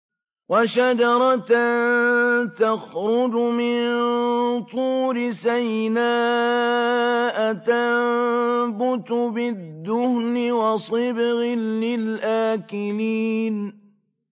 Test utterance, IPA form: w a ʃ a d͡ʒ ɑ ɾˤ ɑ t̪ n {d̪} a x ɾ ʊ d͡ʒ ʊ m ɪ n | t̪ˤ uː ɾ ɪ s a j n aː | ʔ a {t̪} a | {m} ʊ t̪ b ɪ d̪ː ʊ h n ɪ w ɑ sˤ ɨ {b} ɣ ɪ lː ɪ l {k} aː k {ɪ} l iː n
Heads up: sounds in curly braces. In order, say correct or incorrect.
incorrect: t̪, correct, incorrect: b, correct, incorrect: ʔ, correct

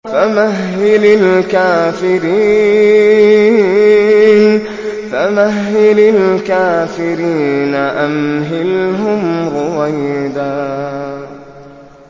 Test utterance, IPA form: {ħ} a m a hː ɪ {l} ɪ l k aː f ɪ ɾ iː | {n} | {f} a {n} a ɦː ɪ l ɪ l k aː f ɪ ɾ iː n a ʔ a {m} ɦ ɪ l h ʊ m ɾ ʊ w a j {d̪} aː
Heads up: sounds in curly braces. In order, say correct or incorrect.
incorrect: f, correct, correct, correct, incorrect: m, correct, correct

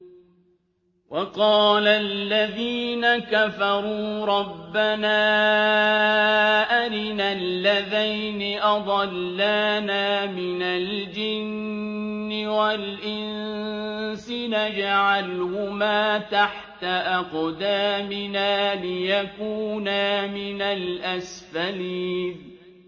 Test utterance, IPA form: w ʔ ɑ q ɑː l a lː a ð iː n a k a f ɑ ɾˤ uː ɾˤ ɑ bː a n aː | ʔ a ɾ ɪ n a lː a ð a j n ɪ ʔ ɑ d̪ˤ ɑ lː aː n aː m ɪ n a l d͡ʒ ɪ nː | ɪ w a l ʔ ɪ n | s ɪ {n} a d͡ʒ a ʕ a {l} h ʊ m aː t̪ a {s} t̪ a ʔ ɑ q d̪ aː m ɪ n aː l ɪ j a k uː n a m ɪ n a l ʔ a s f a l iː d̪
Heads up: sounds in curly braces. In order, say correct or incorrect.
correct, correct, incorrect: ħ

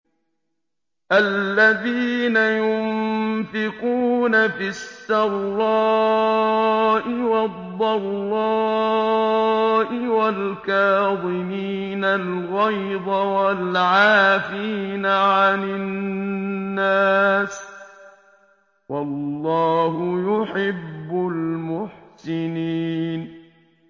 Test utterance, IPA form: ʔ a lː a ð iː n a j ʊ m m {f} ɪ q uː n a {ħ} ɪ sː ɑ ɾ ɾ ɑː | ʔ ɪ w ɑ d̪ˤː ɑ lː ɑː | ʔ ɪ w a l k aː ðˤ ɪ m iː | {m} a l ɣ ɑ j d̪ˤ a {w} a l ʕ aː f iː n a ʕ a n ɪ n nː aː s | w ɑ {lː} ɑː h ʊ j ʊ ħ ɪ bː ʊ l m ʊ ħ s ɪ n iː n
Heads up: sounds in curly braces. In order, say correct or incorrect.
correct, incorrect: f, incorrect: n, correct, correct

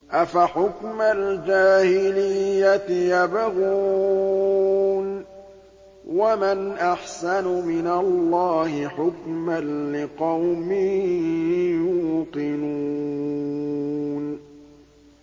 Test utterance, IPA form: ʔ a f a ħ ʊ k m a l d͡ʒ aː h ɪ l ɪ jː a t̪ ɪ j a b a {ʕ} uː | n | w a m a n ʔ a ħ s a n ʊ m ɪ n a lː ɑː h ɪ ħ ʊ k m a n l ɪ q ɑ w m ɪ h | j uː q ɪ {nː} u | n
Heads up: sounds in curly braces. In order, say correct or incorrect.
incorrect: ɣ, incorrect: n

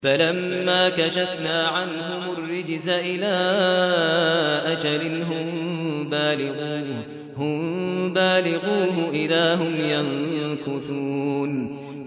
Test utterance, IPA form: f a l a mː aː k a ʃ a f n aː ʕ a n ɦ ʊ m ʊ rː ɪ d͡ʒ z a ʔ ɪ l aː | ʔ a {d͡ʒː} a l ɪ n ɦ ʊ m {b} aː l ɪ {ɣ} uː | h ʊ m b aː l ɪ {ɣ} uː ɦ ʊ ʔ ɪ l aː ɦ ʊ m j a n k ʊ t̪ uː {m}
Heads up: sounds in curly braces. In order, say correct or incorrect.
incorrect: d͡ʒ, correct, correct, correct, incorrect: n

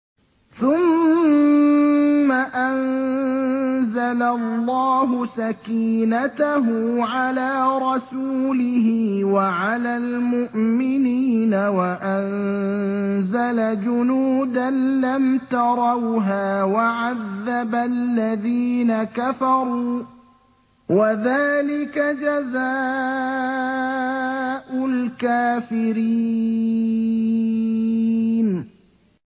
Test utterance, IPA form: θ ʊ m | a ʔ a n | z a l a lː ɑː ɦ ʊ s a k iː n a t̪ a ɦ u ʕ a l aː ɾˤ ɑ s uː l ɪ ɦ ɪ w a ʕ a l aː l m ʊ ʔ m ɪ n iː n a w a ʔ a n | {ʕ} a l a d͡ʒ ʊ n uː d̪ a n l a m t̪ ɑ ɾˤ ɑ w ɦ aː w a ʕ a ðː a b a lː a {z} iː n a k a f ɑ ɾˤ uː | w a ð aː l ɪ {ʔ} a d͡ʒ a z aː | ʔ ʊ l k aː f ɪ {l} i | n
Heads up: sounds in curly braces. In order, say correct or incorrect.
incorrect: z, incorrect: ð, incorrect: k, incorrect: ɾ

